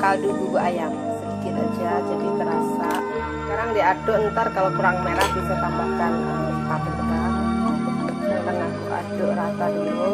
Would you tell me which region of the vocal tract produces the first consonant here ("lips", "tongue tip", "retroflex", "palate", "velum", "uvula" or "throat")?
velum